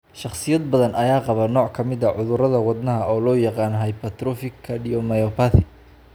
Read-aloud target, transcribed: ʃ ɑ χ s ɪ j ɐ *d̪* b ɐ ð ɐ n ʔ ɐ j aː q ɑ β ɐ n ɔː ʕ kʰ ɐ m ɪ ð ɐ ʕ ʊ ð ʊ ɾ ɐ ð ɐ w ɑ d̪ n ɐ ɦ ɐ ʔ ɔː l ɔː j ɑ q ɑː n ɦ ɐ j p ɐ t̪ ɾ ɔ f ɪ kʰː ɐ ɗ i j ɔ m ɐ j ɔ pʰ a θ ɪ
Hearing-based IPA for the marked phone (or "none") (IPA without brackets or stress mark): d̪